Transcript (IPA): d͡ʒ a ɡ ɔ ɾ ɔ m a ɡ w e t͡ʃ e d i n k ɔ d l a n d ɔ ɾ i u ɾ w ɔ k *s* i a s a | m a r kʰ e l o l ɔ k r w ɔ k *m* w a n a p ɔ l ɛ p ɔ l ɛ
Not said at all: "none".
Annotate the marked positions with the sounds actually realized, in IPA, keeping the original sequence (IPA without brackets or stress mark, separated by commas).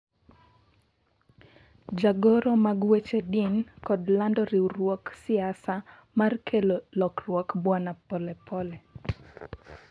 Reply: s, b